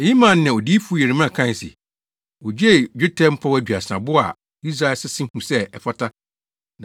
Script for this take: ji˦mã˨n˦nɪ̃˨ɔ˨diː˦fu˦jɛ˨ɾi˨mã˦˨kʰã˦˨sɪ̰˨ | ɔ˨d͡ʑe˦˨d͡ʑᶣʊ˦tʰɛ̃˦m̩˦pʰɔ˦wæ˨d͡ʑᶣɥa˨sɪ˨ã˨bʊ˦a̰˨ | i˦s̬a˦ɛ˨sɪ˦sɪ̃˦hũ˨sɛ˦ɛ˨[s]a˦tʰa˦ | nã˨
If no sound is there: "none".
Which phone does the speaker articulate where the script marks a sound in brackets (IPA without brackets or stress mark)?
f